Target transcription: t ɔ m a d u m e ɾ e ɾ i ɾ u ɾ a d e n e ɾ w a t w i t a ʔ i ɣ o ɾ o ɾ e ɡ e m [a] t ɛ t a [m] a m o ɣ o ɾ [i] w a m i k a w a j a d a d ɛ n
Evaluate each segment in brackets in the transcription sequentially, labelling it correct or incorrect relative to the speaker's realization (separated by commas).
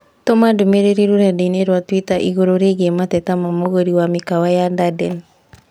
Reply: correct, correct, correct